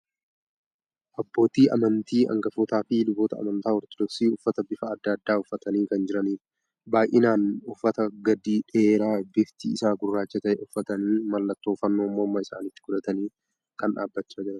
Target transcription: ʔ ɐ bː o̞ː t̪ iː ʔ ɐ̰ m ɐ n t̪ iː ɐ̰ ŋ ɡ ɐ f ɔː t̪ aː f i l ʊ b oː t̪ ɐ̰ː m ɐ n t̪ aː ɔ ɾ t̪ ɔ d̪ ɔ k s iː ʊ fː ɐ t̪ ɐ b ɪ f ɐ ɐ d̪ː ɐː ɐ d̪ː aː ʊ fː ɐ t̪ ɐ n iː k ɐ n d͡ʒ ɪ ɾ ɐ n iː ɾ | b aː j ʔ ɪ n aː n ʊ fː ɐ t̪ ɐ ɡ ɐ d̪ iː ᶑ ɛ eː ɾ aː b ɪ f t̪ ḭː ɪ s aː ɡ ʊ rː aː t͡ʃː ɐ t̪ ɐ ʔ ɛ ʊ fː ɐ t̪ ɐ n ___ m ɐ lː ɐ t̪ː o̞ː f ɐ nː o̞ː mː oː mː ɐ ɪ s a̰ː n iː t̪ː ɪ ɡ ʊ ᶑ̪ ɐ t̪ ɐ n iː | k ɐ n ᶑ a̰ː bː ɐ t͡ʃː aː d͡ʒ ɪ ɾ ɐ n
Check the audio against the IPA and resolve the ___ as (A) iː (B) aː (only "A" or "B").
A